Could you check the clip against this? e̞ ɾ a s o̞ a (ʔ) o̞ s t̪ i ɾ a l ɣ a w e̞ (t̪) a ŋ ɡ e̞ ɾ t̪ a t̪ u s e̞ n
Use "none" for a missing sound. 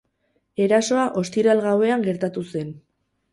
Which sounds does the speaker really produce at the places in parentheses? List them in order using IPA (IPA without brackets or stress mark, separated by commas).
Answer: ʔ, none